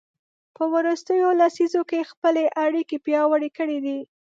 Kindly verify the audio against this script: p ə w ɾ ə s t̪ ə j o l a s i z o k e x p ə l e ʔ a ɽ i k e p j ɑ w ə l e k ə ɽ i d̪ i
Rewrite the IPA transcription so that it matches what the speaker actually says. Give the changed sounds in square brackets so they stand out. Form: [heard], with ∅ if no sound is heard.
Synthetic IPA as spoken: p ə w ɾ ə s t̪ ə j o l a s i z o k e x p ə l e ʔ a ɽ i k e p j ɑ w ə [ɽ] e k ə ɽ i d̪ i

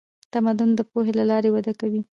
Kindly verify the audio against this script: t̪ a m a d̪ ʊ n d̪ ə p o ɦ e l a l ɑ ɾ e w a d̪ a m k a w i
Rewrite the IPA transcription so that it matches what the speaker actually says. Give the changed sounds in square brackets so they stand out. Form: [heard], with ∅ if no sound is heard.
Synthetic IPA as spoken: t̪ a m a d̪ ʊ n d̪ ə p o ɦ e l a l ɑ ɾ e w a d̪ a [∅] k a w i

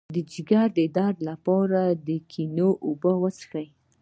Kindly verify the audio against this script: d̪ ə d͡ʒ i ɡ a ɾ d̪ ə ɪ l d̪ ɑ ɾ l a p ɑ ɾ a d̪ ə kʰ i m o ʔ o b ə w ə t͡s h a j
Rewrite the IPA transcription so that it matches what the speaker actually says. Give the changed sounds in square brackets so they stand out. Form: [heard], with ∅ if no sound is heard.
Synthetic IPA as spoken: d̪ ə d͡ʒ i ɡ a ɾ d̪ ə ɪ [∅] d̪ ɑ ɾ l a p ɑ ɾ a d̪ ə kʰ i [n] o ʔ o b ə w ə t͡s [x] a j

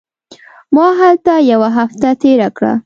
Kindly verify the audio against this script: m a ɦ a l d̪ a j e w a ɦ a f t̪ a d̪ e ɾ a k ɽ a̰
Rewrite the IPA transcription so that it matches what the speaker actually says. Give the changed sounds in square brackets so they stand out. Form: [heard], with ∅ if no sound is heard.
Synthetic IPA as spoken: m [ɑ] ɦ a l [t̪] a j [a] w a ɦ a f t̪ a [t̪] e ɾ a k ɽ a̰

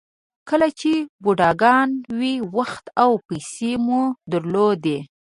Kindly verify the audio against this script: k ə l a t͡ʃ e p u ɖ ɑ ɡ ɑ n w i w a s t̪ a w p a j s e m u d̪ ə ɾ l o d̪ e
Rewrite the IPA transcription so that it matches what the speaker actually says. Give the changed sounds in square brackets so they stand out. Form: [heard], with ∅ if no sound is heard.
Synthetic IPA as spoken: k ə l a t͡ʃ e [b] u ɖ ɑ ɡ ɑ n w i w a [x] t̪ a w p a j s e m u d̪ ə ɾ l o d̪ e

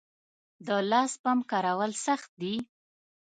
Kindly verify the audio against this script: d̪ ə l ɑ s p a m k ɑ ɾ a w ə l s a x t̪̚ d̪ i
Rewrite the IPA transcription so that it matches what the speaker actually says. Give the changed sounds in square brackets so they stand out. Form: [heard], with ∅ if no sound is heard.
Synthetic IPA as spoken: d̪ ə l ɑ s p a m k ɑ ɾ a w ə l s a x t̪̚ d̪ i

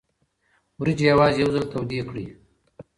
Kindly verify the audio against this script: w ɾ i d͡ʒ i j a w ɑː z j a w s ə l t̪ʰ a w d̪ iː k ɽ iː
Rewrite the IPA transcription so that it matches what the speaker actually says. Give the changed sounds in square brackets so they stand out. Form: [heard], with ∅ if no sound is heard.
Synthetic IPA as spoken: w ɾ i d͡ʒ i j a w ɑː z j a w [z] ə l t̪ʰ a w d̪ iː k ɽ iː

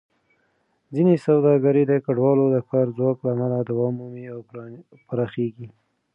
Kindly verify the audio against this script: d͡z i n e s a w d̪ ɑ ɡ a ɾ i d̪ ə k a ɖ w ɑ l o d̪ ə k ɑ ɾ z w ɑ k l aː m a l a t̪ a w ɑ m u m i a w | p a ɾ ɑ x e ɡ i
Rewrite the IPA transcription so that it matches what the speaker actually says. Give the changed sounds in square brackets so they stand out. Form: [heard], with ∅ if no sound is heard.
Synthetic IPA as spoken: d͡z i n e s a w d̪ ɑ ɡ a ɾ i d̪ ə k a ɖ w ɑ l o d̪ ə k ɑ ɾ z w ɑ k l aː m a l a [d̪] a w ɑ m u m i a w | p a ɾ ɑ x e ɡ i

